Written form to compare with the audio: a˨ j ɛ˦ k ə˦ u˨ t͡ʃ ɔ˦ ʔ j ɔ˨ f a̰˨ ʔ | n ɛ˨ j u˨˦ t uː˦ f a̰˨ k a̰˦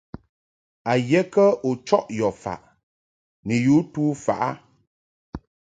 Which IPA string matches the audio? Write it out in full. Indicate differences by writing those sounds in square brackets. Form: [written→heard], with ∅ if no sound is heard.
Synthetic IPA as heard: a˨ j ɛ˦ k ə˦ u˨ t͡ʃ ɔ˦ ʔ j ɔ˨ f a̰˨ ʔ | n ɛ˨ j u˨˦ t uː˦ f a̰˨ [k→ʔ] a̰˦